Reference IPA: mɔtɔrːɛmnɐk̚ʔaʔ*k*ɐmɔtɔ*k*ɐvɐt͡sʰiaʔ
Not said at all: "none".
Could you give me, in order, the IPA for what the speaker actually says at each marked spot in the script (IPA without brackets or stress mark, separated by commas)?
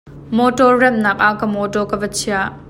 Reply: k, k